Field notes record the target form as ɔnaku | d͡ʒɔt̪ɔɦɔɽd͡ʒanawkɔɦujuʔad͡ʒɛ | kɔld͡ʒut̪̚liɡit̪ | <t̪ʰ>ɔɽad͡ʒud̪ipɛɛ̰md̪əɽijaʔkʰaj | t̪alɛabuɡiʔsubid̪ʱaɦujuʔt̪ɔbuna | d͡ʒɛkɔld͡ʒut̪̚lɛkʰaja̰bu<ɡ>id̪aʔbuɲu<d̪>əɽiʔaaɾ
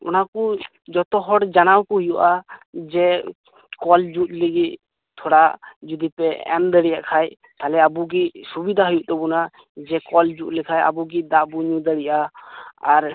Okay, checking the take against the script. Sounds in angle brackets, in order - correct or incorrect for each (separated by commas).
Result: correct, correct, correct